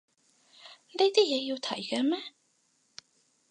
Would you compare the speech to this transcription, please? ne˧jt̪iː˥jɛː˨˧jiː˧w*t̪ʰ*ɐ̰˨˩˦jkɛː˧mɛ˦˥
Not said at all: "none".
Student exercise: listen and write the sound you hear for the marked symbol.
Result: t̪ʰ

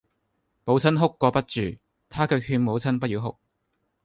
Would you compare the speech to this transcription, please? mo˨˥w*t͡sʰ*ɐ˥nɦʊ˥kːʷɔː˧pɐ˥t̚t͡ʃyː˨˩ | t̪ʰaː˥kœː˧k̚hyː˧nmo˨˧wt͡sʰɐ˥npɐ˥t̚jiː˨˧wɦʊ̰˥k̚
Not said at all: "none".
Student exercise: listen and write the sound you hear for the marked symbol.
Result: t͡sʰ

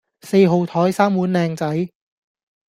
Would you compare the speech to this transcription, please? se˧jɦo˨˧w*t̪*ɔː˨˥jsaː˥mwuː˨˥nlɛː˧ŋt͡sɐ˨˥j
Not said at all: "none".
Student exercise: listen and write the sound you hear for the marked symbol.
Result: t̪ʰ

